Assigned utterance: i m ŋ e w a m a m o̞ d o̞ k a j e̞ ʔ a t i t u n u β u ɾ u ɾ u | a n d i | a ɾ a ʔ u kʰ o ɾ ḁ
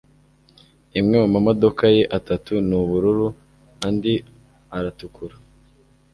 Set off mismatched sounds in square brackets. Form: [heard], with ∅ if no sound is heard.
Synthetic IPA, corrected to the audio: i m ŋ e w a m a m o̞ d o̞ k a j e̞ ʔ a t [a] t u n u β u ɾ u ɾ u | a n d i | a ɾ a [t] u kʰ [u] ɾ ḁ